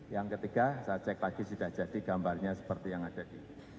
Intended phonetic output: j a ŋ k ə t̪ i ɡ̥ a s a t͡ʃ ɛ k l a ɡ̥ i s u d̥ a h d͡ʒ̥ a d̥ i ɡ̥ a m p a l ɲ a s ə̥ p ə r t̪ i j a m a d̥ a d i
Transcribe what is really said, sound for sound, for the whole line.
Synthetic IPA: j a ŋ k ə t̪ i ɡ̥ a s a t͡ʃ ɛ k l a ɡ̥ i s u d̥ a h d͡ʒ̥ a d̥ i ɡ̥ a m b a r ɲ a s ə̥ p ə r t̪ i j a ŋ a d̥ a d i